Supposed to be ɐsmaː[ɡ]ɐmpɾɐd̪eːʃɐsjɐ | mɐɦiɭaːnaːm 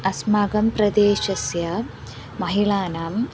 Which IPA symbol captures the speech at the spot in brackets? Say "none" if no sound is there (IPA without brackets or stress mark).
ɡ